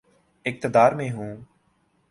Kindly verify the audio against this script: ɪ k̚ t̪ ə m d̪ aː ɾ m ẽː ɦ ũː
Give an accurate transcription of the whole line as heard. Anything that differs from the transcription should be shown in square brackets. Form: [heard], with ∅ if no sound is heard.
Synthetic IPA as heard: ɪ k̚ t̪ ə [∅] d̪ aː ɾ m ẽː ɦ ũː